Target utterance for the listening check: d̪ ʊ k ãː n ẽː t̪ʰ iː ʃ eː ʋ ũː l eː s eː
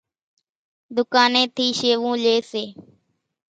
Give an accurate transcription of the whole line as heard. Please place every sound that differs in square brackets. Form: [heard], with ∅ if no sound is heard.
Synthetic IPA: d̪ ʊ k [aː] n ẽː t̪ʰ iː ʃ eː ʋ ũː l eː s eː